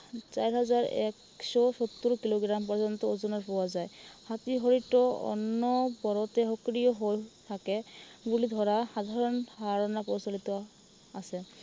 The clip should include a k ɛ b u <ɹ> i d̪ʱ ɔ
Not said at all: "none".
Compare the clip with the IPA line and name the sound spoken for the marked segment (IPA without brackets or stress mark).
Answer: l